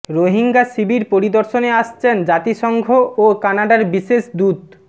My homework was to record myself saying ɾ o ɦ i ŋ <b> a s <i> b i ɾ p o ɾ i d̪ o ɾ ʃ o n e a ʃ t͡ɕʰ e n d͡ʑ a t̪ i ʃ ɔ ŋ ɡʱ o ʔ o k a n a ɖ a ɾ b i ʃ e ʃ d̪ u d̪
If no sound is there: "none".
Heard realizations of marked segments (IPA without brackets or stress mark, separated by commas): ɡ, i